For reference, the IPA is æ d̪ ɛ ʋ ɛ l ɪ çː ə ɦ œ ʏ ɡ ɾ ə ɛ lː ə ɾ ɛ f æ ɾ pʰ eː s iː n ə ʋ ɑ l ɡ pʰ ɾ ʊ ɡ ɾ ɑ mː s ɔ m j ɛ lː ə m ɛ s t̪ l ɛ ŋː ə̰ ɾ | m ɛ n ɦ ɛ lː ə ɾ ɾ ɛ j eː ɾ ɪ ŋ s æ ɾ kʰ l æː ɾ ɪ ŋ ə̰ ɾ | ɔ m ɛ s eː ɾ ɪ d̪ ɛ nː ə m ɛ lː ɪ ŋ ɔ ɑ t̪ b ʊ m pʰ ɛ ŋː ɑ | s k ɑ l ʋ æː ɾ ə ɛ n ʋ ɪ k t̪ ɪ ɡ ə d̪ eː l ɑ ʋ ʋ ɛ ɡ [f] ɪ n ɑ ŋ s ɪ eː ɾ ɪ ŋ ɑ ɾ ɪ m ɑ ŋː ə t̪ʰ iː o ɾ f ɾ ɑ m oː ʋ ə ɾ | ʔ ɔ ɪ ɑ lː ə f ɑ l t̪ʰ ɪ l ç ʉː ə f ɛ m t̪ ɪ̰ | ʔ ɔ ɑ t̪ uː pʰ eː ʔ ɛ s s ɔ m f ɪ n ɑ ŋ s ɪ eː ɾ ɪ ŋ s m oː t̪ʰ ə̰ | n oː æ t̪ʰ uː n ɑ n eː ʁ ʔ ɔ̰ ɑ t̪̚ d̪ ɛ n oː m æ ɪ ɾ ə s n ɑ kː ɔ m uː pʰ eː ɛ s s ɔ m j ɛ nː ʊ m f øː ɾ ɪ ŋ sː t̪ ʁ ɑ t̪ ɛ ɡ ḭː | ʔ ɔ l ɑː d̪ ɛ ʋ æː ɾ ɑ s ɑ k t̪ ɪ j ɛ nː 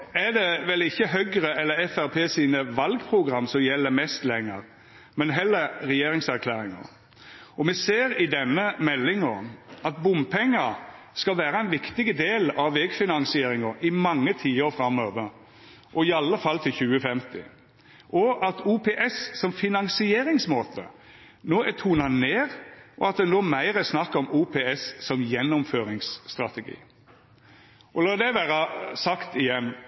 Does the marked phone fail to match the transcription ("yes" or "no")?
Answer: no